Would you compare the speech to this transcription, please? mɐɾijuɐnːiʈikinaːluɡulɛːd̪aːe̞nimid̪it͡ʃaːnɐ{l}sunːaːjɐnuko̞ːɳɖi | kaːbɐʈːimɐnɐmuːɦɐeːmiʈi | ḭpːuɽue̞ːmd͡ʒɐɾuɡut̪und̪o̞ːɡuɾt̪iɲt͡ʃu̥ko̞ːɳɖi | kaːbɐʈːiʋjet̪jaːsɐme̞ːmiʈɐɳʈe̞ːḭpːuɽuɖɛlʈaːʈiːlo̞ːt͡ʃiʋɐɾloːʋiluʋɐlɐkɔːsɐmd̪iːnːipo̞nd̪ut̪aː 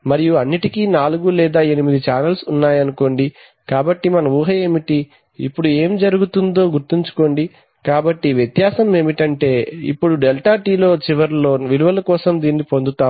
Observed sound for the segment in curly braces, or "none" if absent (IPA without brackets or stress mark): l